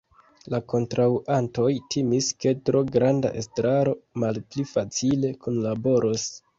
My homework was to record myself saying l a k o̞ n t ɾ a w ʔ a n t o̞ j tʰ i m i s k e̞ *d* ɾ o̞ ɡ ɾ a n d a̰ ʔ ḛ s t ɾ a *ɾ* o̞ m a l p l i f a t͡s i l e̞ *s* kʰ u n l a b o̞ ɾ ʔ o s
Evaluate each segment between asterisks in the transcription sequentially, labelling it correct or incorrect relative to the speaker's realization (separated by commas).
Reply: incorrect, correct, incorrect